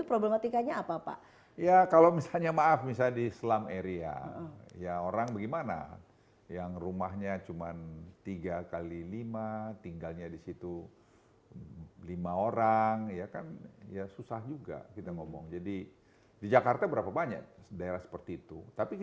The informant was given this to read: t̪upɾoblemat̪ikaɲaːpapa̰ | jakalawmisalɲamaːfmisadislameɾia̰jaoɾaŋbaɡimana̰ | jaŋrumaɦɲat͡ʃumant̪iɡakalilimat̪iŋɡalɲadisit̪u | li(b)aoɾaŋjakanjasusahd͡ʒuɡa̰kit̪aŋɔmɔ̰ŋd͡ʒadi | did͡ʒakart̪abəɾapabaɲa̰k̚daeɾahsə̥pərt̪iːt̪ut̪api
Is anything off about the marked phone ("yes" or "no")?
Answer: yes